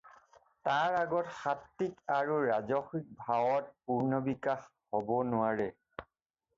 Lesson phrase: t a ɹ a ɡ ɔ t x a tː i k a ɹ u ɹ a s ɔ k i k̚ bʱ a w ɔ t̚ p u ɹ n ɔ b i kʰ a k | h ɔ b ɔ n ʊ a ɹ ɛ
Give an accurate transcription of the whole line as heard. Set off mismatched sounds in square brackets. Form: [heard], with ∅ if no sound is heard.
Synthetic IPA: t a ɹ a ɡ ɔ t x a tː i k a ɹ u ɹ a [z] ɔ [x] i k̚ bʱ a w ɔ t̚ p u ɹ n ɔ b i [k] a [x] | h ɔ b ɔ n ʊ a ɹ ɛ

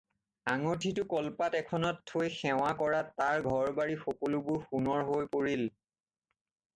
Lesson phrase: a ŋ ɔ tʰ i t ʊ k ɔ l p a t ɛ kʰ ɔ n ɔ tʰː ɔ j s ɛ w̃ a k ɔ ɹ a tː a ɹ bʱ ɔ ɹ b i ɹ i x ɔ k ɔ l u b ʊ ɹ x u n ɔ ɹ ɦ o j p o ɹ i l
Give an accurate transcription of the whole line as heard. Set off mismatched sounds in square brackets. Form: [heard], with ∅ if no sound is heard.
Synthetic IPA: a ŋ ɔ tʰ i t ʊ k ɔ l p a t ɛ kʰ ɔ n ɔ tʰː [o] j [x] ɛ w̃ a k ɔ ɹ a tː a ɹ [ɡʱ] ɔ ɹ b [a] ɹ i x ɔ k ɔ l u b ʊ ɹ x u n ɔ ɹ ɦ o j p o ɹ i l

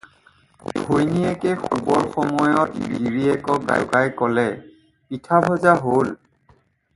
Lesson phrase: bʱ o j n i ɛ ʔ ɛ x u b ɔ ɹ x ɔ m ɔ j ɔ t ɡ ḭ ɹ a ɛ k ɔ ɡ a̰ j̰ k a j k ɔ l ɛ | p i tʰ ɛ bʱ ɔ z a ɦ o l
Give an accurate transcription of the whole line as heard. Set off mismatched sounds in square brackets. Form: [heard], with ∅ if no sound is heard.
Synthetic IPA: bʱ o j n i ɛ [k] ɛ x u b ɔ ɹ x ɔ m ɔ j ɔ t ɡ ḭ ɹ [i] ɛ k ɔ ɡ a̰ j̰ k a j k ɔ l ɛ | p i tʰ [a] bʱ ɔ z a ɦ o l

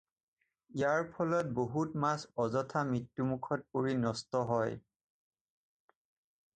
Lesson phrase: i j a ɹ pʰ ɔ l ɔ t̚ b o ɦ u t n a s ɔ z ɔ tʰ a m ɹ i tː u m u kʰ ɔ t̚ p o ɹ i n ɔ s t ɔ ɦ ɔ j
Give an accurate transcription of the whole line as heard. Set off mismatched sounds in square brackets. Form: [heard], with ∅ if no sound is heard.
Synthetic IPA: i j a ɹ pʰ ɔ l ɔ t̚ b o ɦ u t [m] a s ɔ z ɔ tʰ a m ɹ i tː u m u kʰ ɔ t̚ p o ɹ i n ɔ s t ɔ ɦ ɔ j

